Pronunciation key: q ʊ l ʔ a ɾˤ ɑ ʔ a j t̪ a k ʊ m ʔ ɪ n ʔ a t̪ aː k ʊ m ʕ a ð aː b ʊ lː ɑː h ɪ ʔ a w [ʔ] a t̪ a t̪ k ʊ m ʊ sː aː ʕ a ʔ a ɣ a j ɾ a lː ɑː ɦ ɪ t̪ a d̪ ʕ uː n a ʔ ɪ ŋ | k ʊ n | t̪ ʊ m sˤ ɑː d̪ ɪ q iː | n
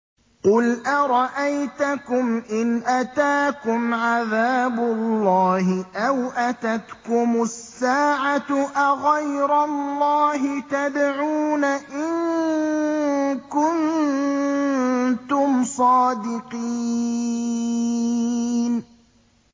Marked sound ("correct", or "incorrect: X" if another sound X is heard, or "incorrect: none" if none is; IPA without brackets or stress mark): correct